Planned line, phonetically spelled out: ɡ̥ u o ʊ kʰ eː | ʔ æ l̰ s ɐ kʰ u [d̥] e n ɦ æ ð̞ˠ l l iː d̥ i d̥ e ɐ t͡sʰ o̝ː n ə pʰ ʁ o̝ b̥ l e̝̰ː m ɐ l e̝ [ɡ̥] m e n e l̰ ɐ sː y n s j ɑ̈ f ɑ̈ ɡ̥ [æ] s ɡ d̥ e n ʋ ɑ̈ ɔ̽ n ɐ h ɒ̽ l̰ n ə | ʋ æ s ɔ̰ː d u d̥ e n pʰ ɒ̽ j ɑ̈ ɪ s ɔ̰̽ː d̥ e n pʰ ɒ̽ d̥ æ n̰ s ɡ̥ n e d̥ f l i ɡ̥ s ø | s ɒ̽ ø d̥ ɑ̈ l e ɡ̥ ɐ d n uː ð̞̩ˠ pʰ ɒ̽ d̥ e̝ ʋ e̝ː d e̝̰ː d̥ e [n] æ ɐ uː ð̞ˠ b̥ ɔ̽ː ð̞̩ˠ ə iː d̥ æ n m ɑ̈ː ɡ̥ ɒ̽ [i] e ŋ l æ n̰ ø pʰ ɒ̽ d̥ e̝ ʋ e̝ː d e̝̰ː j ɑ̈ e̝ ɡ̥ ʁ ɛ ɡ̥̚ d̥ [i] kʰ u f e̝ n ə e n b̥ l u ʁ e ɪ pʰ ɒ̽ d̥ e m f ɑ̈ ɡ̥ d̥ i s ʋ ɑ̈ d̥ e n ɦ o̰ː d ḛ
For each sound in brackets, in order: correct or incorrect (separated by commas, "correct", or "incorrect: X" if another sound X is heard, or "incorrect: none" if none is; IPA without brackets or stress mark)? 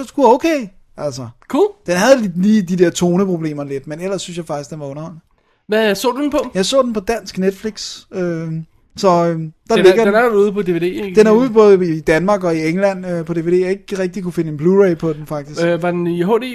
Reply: correct, incorrect: d̥, incorrect: i, correct, correct, correct